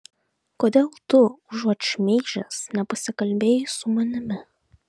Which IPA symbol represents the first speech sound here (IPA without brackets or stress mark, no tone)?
k